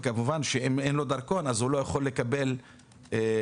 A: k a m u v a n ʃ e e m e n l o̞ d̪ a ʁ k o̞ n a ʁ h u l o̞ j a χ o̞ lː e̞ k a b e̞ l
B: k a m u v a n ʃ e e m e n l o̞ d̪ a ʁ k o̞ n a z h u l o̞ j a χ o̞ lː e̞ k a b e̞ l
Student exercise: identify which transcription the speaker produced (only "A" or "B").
B